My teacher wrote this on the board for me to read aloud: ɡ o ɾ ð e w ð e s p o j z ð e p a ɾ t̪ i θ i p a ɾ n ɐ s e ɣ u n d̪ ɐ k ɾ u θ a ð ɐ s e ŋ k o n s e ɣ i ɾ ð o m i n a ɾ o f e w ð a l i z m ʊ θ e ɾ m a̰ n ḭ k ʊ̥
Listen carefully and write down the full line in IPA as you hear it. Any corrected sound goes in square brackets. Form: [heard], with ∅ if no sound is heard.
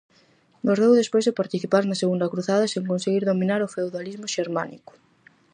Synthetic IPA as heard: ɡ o ɾ ð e w ð e s p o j z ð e p a ɾ t̪ i θ i p a ɾ n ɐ s e ɣ u n d̪ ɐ k ɾ u θ a ð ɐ s e ŋ k o n s e ɣ i ɾ ð o m i n a ɾ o f e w ð a l i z m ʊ [ʃ] e ɾ m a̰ n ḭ k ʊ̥